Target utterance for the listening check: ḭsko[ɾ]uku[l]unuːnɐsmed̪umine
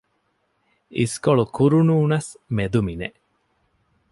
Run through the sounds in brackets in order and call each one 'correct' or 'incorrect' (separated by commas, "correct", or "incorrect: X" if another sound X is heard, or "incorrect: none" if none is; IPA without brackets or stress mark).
incorrect: ɭ, incorrect: ɾ